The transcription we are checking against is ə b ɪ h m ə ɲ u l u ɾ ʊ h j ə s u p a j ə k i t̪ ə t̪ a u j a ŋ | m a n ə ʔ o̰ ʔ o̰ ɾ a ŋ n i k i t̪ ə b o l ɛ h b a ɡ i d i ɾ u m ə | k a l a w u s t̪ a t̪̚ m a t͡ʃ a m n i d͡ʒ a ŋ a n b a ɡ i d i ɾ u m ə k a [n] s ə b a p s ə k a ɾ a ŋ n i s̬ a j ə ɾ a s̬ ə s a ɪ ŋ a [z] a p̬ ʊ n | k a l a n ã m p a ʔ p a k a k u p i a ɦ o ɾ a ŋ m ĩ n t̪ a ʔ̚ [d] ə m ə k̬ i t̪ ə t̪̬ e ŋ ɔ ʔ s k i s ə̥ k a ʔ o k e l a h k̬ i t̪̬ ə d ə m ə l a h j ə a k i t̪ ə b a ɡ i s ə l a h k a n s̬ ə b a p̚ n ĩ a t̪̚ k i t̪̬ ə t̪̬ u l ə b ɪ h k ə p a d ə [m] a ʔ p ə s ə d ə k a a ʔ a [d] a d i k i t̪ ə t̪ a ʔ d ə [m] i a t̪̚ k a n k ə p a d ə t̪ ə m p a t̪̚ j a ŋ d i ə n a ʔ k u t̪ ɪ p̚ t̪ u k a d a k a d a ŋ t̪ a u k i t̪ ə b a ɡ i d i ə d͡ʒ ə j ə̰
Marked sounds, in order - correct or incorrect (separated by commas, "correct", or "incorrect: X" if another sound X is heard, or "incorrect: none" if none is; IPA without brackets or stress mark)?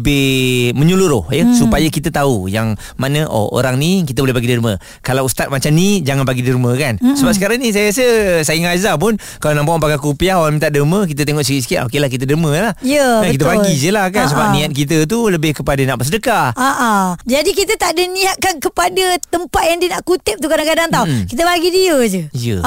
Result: correct, correct, correct, incorrect: n, incorrect: d͡ʒ, incorrect: n